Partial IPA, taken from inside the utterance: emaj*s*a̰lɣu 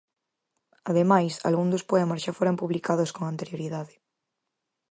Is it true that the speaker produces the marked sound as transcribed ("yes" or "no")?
yes